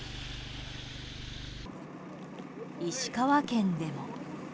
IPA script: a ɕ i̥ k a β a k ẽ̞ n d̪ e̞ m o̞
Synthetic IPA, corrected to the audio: i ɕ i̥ k a β a k ẽ̞ n d̪ e̞ m o̞